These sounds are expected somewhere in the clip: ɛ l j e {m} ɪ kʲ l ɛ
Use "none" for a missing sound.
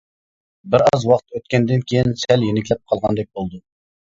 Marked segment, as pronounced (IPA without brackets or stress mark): n